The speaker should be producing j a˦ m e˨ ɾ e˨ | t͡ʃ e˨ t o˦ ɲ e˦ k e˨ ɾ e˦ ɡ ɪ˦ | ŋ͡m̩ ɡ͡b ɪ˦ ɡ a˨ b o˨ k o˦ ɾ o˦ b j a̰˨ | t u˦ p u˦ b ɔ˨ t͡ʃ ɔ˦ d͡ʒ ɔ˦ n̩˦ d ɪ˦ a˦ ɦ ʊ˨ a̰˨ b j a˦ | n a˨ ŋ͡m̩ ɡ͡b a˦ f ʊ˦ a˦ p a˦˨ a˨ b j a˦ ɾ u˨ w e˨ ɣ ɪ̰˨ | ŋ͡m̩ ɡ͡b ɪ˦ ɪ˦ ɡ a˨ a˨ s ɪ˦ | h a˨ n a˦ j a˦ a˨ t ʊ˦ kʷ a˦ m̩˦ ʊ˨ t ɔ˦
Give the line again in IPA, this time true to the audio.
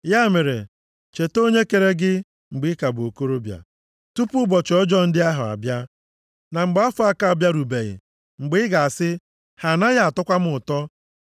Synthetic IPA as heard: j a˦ m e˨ ɾ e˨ | t͡ʃ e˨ t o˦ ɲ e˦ k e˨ ɾ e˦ ɡ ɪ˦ | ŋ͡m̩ ɡ͡b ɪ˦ k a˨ b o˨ k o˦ ɾ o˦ b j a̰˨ | t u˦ p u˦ b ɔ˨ t͡ʃ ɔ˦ d͡ʒ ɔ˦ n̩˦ d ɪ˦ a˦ ɦ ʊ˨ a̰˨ b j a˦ | n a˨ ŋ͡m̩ ɡ͡b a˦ f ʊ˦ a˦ k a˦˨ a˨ b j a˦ ɾ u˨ b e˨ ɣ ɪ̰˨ | ŋ͡m̩ ɡ͡b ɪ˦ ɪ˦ ɡ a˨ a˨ s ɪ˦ | h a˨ n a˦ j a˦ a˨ t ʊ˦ kʷ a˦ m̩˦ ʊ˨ t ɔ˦